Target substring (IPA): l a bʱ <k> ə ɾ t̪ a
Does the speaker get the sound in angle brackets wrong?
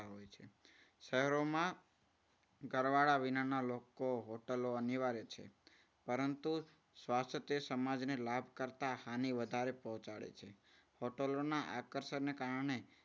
no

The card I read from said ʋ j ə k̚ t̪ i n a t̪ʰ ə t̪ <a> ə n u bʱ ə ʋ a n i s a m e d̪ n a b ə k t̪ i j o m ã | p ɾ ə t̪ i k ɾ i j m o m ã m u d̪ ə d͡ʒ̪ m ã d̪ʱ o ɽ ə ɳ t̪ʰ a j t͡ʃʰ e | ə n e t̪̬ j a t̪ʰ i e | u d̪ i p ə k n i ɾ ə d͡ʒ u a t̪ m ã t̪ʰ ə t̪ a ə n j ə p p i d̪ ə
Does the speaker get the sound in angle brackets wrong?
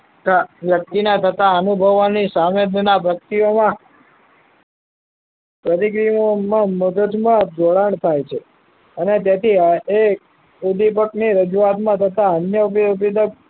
no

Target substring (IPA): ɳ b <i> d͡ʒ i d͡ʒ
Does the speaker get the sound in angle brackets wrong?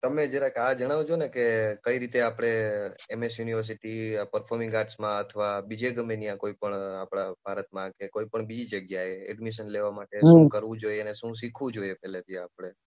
no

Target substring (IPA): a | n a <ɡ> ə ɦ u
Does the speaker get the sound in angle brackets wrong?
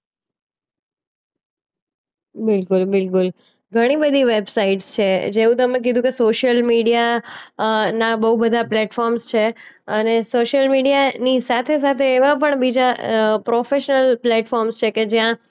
yes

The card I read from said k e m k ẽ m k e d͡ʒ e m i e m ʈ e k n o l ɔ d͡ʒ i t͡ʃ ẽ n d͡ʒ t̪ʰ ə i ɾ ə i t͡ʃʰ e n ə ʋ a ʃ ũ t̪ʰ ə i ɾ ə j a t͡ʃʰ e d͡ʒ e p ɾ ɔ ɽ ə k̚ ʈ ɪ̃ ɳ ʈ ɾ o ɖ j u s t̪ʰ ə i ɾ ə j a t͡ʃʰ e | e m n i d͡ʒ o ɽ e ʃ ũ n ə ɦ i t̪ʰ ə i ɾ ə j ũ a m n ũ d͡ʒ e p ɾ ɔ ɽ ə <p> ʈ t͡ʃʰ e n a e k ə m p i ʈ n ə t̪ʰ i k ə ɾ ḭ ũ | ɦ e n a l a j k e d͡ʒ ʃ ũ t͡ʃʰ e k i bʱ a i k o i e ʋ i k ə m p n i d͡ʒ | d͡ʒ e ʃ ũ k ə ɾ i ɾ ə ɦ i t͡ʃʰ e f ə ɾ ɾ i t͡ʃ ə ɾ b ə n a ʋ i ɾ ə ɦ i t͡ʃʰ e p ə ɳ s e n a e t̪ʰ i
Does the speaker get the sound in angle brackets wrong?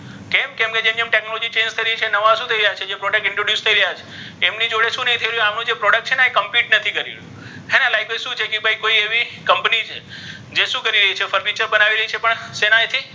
yes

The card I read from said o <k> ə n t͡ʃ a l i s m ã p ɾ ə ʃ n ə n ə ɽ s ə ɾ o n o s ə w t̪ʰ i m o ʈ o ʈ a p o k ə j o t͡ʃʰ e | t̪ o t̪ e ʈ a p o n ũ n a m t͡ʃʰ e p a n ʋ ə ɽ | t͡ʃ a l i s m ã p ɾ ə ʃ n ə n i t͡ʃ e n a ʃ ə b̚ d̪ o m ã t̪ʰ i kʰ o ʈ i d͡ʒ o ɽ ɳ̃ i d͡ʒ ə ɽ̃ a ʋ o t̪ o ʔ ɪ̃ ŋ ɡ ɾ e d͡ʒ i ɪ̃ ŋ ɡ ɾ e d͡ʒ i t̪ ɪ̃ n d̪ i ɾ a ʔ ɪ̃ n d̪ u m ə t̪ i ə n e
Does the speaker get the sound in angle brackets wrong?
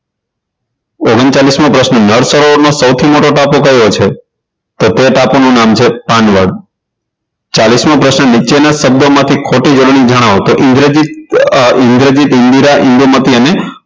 yes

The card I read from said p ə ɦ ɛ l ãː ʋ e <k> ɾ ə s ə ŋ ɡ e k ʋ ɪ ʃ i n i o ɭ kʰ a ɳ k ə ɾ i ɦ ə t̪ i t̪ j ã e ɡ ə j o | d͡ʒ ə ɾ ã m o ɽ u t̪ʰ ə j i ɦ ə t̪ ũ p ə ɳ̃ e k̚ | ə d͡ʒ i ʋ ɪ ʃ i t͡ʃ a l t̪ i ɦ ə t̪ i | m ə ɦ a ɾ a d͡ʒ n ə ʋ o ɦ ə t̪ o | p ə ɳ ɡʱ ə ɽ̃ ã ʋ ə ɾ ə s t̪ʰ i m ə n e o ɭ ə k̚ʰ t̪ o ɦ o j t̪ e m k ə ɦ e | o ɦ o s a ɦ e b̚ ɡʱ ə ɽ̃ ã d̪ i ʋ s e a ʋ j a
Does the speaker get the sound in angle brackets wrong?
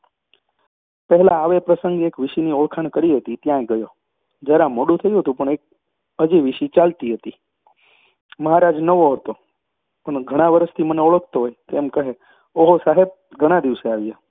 yes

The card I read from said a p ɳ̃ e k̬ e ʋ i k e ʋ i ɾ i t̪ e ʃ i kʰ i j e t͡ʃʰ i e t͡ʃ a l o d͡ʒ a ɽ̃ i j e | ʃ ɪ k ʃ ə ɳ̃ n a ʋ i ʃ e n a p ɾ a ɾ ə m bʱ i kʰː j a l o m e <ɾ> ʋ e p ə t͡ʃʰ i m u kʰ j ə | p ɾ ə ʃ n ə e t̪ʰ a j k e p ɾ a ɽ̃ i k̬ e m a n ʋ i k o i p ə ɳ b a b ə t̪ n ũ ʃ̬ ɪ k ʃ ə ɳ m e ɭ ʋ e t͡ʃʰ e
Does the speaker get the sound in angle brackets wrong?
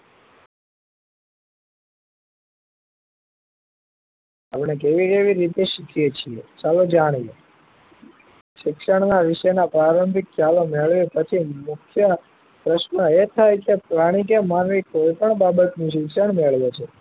yes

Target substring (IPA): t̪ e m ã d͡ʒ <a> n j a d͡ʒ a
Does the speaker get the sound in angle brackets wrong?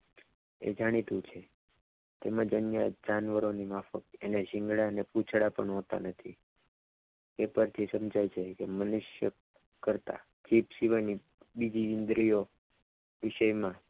yes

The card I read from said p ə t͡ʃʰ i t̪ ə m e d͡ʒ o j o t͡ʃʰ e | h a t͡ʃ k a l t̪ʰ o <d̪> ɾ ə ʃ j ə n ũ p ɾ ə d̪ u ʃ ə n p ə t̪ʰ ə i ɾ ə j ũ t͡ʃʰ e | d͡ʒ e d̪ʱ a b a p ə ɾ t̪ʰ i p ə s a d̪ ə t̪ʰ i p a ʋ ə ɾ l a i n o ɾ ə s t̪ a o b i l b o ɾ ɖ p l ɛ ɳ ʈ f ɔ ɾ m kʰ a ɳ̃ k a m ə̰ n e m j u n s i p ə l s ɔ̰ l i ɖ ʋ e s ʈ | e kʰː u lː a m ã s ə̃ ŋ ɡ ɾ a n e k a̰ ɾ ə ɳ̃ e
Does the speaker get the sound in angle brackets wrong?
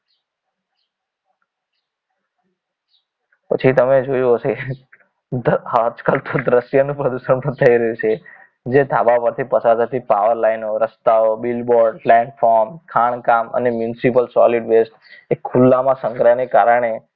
no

